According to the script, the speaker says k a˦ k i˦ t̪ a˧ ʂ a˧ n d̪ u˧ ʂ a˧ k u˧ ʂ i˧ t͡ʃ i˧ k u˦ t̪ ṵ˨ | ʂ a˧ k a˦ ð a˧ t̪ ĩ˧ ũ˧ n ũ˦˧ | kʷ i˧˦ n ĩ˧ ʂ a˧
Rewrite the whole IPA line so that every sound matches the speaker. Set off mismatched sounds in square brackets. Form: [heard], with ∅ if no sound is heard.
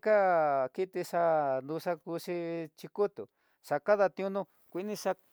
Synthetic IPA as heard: k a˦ k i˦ t̪ [i˧] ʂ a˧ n d̪ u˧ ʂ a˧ k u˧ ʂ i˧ t͡ʃ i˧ k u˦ t̪ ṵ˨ | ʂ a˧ k a˦ ð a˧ t̪ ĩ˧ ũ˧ n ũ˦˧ | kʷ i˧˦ n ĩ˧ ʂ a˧